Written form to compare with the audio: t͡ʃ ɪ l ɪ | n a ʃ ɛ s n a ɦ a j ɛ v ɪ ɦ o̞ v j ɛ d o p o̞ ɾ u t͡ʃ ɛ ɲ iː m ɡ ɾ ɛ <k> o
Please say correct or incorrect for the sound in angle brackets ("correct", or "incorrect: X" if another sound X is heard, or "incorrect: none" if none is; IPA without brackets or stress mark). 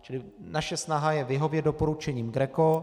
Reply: correct